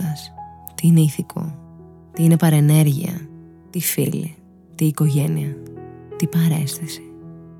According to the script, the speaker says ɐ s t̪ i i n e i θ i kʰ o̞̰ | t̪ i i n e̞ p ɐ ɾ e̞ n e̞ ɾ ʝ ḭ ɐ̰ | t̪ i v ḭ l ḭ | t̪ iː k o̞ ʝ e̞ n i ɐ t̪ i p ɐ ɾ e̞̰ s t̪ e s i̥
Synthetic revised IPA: ɐ s t̪ i i n e i θ i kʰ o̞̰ | t̪ i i n e̞ p ɐ ɾ e̞ n e̞ ɾ ʝ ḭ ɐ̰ | t̪ i f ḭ l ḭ | t̪ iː k o̞ ʝ e̞ n i ɐ t̪ i p ɐ ɾ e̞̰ s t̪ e s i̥